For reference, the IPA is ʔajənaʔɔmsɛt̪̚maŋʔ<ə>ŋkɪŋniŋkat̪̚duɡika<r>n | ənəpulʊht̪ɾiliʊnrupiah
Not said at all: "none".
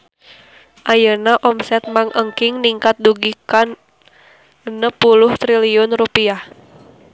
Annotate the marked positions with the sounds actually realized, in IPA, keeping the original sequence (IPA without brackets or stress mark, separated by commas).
ə, none